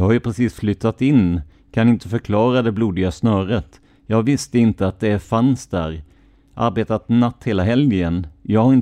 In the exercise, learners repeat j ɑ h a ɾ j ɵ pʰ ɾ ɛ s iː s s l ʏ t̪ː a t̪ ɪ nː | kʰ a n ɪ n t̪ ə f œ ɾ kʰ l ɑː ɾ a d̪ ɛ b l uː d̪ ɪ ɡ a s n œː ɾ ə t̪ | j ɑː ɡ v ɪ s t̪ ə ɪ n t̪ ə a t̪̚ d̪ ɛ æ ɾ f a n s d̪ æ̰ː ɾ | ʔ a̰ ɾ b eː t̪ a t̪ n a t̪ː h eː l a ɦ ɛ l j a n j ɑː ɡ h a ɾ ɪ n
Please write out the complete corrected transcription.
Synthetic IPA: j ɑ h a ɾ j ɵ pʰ ɾ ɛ s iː s f l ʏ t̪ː a t̪ ɪ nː | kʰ a n ɪ n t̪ ə f œ ɾ kʰ l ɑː ɾ a d̪ ɛ b l uː d̪ ɪ ɡ a s n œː ɾ ə t̪ | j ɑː ɡ v ɪ s t̪ ə ɪ n t̪ ə a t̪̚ d̪ ɛ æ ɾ f a n s d̪ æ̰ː ɾ | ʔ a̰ ɾ b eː t̪ a t̪ n a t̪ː h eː l a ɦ ɛ l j ə n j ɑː ɡ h a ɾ ɪ n